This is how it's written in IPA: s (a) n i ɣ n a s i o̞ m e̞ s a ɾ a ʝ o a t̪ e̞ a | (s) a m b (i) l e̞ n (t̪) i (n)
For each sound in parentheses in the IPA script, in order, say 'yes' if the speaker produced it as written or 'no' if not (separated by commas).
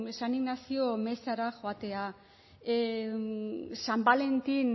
yes, yes, no, yes, yes